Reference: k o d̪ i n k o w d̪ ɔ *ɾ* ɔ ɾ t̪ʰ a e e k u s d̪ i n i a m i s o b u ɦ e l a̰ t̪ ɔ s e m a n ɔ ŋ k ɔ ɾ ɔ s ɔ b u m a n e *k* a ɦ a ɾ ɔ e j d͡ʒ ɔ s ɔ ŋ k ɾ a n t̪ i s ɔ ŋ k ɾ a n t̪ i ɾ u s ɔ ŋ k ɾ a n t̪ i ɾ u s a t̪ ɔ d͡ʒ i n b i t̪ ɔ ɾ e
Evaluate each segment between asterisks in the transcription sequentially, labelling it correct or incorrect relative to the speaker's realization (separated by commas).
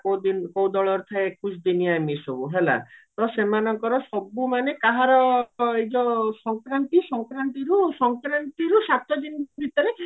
incorrect, correct